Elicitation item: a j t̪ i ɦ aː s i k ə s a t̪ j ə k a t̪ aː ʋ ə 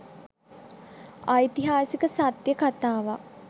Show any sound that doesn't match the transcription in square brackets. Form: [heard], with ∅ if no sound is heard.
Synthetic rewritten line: a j t̪ i ɦ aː s i k ə s a t̪ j ə k a t̪ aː ʋ [a]